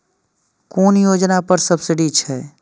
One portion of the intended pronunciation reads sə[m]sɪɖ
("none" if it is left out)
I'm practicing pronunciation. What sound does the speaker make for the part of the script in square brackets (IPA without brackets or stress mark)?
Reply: b